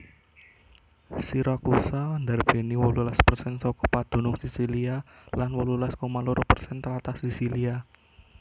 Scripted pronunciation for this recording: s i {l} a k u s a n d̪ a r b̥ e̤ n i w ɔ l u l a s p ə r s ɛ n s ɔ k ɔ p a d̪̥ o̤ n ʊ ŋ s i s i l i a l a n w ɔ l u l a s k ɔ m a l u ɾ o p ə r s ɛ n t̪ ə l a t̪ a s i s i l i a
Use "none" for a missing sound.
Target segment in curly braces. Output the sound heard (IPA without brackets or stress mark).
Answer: ɾ